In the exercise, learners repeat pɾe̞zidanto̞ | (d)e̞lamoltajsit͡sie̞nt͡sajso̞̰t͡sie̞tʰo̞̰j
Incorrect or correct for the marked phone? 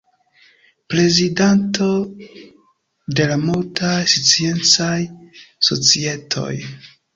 correct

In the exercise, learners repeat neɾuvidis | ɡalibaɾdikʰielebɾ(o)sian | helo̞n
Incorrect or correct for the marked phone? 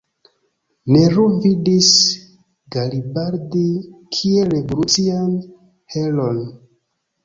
incorrect: u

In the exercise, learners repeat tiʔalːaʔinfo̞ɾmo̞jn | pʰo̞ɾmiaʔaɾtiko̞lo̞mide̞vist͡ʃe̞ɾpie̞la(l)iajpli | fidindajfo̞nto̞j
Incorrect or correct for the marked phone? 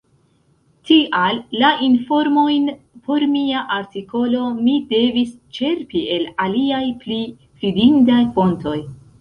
correct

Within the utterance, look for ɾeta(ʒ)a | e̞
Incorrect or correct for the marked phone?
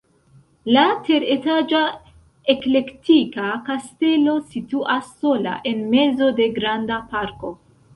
incorrect: d͡ʒ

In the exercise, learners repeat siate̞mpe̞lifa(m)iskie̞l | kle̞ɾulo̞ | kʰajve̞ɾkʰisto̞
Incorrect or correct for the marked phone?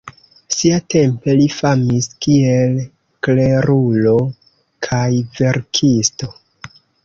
correct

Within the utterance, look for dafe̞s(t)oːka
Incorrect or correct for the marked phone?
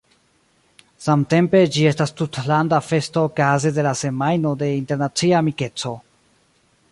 correct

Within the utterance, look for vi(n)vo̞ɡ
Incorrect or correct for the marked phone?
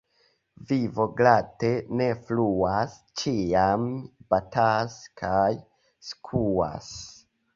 incorrect: none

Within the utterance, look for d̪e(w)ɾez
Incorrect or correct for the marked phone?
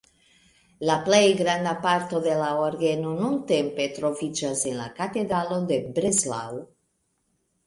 incorrect: b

